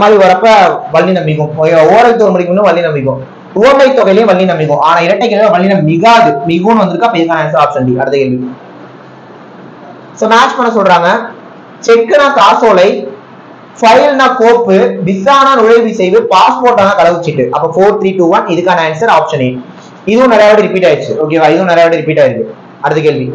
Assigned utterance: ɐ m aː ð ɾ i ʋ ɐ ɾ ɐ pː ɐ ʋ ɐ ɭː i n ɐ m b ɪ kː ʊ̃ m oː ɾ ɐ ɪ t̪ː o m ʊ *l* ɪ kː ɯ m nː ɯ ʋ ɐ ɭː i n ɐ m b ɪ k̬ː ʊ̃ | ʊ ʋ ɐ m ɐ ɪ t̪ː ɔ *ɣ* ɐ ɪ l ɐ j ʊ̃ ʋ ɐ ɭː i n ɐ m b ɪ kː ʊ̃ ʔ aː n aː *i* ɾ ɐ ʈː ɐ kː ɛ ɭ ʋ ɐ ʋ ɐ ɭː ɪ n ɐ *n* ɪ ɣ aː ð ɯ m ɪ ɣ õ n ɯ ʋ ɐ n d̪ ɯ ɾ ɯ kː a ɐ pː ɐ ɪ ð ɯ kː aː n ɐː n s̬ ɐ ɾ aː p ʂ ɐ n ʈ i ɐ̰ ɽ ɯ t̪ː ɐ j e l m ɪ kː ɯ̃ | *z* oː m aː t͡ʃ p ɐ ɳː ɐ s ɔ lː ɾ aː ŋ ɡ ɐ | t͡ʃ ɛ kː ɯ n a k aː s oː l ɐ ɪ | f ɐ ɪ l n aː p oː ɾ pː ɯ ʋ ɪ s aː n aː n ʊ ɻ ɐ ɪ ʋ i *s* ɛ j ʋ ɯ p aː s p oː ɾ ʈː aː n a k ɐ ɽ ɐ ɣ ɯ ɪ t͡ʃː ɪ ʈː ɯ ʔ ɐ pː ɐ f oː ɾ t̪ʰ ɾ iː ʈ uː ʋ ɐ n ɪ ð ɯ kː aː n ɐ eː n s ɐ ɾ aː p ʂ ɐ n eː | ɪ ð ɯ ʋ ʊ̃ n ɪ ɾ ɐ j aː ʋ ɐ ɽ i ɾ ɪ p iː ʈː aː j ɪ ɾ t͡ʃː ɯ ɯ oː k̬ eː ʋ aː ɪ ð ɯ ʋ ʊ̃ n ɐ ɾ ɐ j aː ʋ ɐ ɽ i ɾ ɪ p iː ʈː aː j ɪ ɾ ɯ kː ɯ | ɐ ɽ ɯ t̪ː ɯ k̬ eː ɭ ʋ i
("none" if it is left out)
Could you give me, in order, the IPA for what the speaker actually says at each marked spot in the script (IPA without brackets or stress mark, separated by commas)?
ɽ, ɣ, ɪ, m, s, s